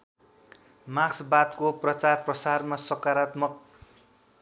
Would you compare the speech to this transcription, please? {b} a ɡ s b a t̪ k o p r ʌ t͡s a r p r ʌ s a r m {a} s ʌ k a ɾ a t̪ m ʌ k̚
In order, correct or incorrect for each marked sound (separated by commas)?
incorrect, correct